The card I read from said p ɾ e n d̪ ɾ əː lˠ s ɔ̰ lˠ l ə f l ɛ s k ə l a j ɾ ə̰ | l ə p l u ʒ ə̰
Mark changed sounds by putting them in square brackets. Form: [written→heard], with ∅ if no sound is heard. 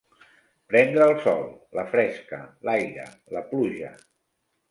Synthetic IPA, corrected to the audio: p ɾ [e→ɛ] n d̪ ɾ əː lˠ s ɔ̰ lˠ l ə f [l→ɾ] ɛ s k ə l a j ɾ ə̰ | l ə p l u ʒ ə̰

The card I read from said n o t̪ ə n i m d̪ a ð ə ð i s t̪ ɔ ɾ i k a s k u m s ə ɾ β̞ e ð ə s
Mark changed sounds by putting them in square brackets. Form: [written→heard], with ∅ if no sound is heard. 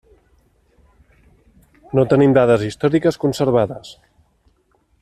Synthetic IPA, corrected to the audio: n o t̪ ə n i m d̪ a ð ə [ð→z] i s t̪ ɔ ɾ i k [a→ə] s k u [m→n] s ə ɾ β̞ [e→a] ð ə s

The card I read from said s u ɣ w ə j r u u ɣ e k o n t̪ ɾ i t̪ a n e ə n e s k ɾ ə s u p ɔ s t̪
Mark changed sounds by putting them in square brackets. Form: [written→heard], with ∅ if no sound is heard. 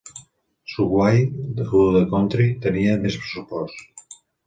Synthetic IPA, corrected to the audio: s u ɣ w [ə→a] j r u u [ɣ→ð] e k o n t̪ ɾ i t̪ [a→ə] n [e→i] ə [n→m] e s [k→p] ɾ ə s u p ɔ s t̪

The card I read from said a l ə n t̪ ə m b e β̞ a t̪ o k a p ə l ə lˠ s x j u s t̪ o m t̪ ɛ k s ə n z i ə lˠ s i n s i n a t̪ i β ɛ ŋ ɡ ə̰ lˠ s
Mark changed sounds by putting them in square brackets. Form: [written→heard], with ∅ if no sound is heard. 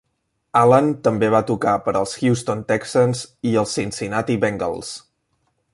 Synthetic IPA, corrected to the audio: a l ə n t̪ ə m b e β̞ a t̪ [o→u] k a p ə [l→ɾ] ə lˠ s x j u s t̪ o [m→n] t̪ ɛ k s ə n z i ə lˠ s i n s i n a t̪ i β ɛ ŋ ɡ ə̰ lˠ s

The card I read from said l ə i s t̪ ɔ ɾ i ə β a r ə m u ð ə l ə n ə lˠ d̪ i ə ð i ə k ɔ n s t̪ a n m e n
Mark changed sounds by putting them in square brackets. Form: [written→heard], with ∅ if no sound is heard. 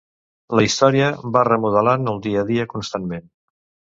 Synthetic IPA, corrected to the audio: l ə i s t̪ ɔ ɾ i ə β a r ə m u ð ə l [ə→a] n ə lˠ d̪ i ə ð i ə k [ɔ→u] n s t̪ a n m e n

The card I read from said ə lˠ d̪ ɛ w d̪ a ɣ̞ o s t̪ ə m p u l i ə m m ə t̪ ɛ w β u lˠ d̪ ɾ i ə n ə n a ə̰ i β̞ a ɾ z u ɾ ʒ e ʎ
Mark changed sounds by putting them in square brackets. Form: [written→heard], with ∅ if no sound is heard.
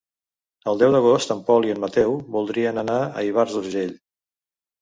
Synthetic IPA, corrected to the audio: ə lˠ d̪ ɛ w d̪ [a→ə] ɣ̞ o s t̪ ə m p [u→ɔ] l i ə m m ə t̪ ɛ w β u lˠ d̪ ɾ i ə n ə n a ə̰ i β̞ a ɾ z u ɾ ʒ e ʎ

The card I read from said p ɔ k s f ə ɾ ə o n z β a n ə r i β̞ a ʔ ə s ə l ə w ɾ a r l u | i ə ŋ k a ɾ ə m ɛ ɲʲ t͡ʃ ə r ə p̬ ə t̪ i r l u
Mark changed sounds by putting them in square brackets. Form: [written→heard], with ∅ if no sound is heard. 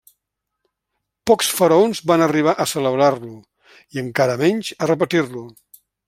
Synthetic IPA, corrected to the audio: p ɔ k s f ə ɾ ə o n z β a n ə r i β̞ a ʔ ə s ə l ə [w→β] ɾ a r l u | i ə ŋ k a ɾ ə m ɛ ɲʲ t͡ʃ ə r ə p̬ ə t̪ i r l u

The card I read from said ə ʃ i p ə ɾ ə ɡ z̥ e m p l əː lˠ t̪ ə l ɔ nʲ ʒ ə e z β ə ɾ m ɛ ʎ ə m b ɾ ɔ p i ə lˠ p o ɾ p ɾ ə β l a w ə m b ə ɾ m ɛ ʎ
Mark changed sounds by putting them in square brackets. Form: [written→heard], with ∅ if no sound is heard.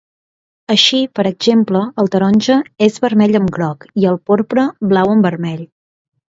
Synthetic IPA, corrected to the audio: ə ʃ i p ə ɾ ə ɡ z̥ e m p l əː lˠ t̪ ə [l→ɾ] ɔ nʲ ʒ ə e z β ə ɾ m ɛ ʎ ə m [b→ɡ] ɾ ɔ [p→k] i ə lˠ p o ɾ p ɾ ə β l a w ə m b ə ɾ m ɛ ʎ

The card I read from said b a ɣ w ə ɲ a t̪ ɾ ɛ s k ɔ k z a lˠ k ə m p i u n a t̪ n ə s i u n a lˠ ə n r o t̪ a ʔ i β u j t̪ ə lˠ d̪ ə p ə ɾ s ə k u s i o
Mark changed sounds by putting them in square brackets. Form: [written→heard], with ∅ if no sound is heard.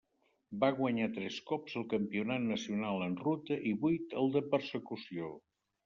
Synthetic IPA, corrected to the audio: b a ɣ w ə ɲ a t̪ ɾ ɛ s k ɔ [k→p] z [a→ə] lˠ k ə m p i u n a t̪ n ə s i u n a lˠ ə n r [o→u] t̪ [a→ə] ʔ i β u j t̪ ə lˠ d̪ ə p ə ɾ s ə k u s i o

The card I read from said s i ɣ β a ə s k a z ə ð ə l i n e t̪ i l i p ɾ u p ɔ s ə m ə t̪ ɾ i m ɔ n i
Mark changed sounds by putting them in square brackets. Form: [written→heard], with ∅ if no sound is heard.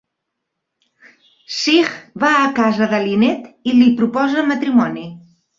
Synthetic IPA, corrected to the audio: s i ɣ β a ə [s→∅] k a z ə ð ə l i n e t̪ i l i p ɾ u p ɔ [s→z] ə m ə t̪ ɾ i m ɔ n i

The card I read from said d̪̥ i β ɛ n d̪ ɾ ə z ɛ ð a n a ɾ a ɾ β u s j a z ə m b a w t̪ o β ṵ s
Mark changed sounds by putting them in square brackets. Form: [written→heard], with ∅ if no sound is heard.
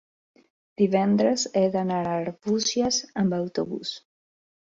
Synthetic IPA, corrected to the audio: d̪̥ i β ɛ n d̪ ɾ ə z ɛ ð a n a ɾ a ɾ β u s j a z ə m b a w t̪ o β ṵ s

